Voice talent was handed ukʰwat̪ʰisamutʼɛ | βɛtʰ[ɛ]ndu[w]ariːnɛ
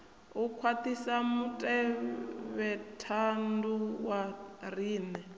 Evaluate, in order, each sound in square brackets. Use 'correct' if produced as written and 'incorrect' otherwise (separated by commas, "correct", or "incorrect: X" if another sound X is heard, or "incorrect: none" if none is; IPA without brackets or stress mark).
incorrect: a, correct